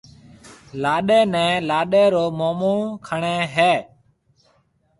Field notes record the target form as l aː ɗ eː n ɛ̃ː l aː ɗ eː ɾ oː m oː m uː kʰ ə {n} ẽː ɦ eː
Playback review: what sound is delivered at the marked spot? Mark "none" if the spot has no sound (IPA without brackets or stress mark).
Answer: ɳ